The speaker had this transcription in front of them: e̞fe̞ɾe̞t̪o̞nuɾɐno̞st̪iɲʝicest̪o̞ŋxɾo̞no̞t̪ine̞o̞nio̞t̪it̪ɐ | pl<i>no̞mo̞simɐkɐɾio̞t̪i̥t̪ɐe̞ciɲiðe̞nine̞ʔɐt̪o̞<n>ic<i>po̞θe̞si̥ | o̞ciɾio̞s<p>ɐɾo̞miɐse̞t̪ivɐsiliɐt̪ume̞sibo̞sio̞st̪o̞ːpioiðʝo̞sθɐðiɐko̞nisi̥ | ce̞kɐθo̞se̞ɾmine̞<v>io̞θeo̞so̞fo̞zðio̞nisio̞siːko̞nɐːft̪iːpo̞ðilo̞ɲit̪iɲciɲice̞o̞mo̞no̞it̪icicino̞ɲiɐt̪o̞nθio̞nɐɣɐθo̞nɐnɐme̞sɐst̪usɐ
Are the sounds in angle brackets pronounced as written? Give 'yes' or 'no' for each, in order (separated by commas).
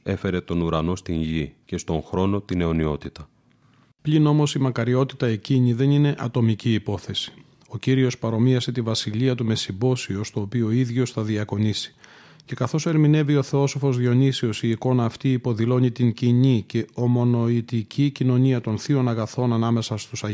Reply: yes, no, no, yes, yes